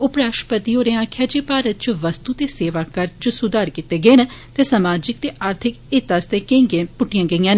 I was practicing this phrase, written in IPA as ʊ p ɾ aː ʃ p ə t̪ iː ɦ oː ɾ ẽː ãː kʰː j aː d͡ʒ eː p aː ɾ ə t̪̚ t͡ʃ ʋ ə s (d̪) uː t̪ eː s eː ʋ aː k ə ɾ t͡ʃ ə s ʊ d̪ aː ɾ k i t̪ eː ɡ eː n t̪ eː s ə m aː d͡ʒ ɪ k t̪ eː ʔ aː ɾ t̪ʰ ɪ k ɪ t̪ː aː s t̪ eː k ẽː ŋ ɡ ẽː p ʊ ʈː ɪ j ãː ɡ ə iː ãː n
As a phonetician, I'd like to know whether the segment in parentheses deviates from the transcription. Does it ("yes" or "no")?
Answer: yes